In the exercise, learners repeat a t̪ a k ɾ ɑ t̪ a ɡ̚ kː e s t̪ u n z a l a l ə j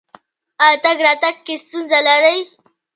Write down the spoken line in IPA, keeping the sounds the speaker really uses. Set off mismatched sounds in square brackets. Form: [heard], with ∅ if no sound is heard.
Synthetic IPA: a t̪ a [ɡ] ɾ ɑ t̪ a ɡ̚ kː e s t̪ u n z a l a [ɾ] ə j